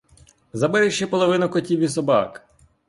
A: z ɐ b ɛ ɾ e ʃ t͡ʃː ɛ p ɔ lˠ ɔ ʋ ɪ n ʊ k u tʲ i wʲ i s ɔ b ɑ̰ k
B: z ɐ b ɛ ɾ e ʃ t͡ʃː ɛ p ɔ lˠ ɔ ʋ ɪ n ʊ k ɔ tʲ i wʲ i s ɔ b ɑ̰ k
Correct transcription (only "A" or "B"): B